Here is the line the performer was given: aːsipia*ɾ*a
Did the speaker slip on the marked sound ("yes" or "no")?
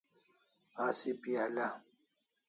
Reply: yes